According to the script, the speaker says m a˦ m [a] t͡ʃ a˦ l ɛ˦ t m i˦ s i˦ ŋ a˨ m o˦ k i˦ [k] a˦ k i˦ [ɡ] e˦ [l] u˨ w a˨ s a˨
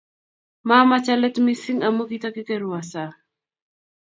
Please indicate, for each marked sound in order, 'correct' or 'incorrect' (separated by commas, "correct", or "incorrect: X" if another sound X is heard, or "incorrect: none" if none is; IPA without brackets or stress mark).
correct, incorrect: t, incorrect: k, incorrect: ɾ